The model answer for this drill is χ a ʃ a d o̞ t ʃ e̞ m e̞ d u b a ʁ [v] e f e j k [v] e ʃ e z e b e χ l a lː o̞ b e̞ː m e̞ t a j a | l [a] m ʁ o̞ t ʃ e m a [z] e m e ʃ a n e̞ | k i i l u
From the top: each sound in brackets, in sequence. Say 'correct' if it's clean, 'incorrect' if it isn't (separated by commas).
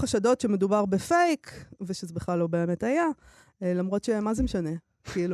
incorrect, correct, correct, correct